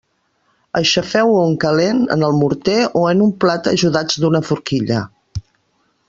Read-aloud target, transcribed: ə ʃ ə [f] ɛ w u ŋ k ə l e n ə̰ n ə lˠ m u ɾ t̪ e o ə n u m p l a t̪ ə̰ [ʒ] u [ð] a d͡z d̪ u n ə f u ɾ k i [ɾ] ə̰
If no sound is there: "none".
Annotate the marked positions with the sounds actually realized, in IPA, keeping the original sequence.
f, ʒ, ð, ʎ

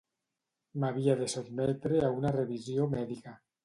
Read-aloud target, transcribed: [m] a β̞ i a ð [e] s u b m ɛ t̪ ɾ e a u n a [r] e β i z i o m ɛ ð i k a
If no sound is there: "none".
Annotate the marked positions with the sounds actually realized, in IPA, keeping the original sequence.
m, e, r

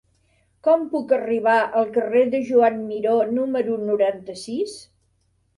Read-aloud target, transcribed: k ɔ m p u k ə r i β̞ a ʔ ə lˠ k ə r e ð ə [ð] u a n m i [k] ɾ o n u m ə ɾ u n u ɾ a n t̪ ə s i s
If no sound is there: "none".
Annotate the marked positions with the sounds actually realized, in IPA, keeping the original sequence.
ʒ, none

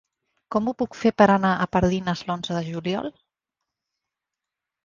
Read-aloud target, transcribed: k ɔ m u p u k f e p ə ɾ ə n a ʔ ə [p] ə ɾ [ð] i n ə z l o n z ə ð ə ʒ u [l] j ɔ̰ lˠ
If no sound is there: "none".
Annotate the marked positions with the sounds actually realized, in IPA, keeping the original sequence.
p, ð, l

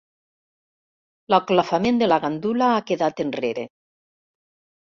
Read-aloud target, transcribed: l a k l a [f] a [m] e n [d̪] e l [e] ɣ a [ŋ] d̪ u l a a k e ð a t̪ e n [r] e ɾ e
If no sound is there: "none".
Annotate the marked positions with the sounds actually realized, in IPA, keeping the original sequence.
f, m, d̪, a, n, r

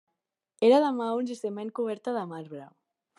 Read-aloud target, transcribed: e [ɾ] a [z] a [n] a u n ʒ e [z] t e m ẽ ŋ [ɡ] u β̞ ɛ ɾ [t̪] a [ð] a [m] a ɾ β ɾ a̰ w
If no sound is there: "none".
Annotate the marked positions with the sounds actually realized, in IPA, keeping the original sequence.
ɾ, ð, m, s, k, t̪, ð, m

